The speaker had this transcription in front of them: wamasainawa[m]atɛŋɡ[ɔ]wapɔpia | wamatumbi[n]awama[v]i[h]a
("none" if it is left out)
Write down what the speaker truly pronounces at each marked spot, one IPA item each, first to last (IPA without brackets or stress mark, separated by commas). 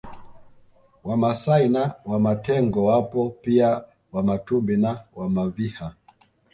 m, ɔ, n, v, h